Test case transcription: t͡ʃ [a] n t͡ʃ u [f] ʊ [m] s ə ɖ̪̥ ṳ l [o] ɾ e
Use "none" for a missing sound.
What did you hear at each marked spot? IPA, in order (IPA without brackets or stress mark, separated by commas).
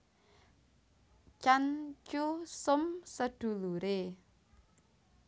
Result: a, s, m, u